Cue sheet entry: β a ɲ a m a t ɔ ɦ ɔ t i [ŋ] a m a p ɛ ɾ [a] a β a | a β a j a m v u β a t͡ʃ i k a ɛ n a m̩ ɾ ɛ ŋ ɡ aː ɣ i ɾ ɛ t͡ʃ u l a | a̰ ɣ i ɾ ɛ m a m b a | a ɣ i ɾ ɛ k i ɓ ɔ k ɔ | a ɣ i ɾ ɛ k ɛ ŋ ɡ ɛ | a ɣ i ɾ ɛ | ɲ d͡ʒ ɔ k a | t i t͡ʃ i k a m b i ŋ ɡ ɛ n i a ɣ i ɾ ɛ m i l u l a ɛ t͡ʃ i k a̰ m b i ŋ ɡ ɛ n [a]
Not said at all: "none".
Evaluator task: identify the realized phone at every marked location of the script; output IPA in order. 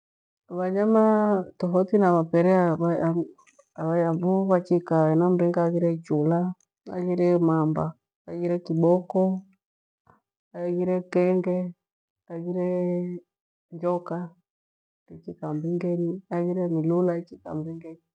n, ɛ, i

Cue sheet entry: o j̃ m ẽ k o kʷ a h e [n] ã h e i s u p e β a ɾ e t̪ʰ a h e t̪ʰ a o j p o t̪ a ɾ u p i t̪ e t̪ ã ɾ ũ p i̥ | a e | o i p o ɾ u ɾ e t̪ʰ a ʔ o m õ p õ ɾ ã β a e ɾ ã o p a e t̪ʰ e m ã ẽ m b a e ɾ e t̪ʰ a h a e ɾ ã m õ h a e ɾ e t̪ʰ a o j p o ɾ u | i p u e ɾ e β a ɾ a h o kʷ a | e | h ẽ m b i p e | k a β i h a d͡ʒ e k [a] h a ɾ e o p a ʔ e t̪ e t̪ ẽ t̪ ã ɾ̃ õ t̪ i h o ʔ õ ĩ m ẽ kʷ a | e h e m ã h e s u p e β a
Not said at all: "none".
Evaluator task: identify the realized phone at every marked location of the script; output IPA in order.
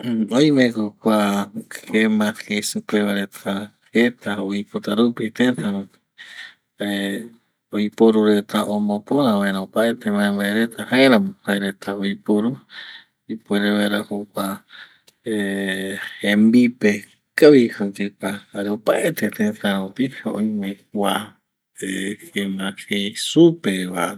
m, a

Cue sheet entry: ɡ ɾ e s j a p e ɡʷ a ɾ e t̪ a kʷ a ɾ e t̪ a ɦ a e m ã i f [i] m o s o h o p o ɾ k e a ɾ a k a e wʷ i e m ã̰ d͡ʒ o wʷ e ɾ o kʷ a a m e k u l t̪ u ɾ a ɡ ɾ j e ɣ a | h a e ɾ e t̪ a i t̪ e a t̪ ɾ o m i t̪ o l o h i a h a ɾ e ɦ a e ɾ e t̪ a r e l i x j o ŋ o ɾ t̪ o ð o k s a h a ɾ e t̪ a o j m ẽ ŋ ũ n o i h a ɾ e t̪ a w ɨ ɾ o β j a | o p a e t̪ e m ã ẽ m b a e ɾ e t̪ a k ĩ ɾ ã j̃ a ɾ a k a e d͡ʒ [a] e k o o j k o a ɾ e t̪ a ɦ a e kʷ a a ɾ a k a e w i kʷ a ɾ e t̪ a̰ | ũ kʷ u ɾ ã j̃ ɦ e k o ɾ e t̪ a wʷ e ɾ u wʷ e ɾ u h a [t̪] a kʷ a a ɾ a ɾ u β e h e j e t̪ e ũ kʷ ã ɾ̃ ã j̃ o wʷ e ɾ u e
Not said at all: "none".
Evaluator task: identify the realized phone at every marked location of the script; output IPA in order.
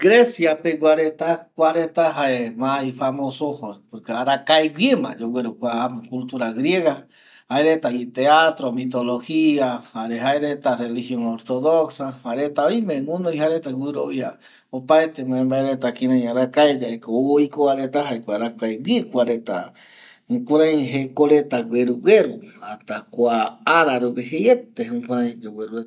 a, a, t̪

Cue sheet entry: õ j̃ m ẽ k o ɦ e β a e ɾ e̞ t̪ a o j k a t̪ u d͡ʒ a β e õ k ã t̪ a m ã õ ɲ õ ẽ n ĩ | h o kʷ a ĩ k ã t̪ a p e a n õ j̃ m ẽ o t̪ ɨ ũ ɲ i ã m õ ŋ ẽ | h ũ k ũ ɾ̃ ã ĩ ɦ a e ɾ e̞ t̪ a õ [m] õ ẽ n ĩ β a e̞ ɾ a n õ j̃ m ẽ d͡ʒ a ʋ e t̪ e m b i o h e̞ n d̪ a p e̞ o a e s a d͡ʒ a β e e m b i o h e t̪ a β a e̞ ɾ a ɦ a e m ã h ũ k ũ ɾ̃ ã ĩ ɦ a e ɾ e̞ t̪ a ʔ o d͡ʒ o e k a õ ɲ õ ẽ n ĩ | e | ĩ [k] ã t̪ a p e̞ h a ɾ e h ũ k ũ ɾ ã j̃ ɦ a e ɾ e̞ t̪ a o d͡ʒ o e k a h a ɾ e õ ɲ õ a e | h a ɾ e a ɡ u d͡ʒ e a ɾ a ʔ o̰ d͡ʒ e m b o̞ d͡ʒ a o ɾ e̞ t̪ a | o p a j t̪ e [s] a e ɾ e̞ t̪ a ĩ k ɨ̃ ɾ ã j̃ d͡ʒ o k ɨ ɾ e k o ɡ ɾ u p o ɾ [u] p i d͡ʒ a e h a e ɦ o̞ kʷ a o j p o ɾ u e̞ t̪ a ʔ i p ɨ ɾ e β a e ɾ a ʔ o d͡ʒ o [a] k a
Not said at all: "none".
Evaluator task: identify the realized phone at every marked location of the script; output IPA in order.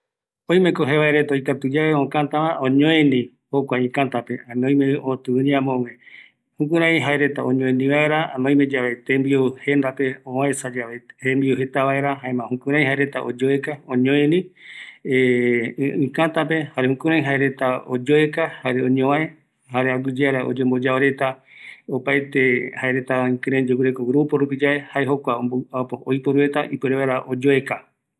ɲ, k, h, u, e

